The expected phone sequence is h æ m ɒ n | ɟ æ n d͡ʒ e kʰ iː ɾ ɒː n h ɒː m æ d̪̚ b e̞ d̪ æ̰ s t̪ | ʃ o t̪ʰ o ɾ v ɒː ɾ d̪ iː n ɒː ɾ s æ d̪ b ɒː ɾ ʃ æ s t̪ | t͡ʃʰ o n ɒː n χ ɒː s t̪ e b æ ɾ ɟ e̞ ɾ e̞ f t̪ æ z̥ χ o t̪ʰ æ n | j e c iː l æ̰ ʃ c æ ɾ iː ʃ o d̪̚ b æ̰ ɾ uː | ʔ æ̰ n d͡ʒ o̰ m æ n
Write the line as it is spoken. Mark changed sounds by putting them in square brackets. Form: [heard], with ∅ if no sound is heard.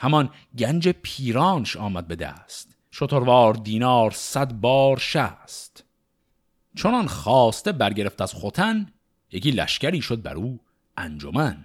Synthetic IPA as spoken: h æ m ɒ n | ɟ æ n d͡ʒ e [pʰ] iː ɾ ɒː n [ʃ] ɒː m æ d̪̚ b e̞ d̪ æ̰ s t̪ | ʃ o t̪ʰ o ɾ v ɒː ɾ d̪ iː n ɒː ɾ s æ d̪ b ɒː ɾ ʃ æ s t̪ | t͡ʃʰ o n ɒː n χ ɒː s t̪ e b æ ɾ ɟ e̞ ɾ e̞ f t̪ æ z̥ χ o t̪ʰ æ n | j e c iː l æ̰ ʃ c æ ɾ iː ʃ o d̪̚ b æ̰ ɾ uː | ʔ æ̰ n d͡ʒ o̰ m æ n